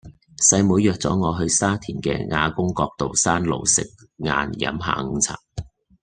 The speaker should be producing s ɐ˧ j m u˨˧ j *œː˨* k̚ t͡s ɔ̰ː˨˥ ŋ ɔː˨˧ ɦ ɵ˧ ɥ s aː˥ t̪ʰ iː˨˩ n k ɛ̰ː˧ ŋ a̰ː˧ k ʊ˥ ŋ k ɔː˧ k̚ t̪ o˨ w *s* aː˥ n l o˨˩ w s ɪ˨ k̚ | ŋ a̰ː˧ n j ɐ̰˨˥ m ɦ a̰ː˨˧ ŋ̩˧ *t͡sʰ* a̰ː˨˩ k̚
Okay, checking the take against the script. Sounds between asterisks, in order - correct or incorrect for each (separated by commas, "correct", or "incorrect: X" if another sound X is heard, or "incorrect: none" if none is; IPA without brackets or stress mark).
correct, correct, correct